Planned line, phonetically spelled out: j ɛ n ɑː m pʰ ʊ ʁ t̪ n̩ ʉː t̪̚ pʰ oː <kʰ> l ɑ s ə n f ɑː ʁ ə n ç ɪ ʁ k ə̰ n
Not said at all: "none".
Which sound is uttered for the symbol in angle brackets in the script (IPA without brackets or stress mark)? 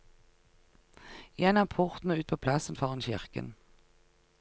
pʰ